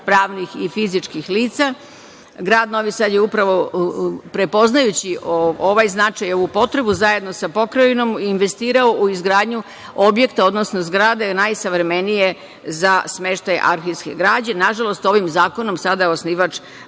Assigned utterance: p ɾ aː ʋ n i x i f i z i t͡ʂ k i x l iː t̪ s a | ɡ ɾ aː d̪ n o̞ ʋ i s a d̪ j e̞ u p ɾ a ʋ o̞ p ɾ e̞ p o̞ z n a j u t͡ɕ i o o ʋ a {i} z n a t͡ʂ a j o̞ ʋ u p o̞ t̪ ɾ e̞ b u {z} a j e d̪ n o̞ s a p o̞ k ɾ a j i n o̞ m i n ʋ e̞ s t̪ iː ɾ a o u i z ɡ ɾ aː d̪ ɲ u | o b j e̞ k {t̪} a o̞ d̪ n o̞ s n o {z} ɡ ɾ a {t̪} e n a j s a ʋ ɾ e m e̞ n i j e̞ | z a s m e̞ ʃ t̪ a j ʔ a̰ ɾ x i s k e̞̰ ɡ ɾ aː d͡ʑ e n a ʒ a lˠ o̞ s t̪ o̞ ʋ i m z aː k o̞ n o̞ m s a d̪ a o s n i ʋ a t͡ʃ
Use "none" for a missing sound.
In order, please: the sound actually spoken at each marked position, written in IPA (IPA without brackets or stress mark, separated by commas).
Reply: j, z, t̪, z, d̪